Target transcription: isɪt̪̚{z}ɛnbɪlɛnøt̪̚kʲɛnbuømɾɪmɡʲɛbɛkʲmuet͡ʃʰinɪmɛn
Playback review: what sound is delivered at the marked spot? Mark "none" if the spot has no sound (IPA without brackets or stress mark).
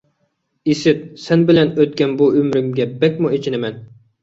s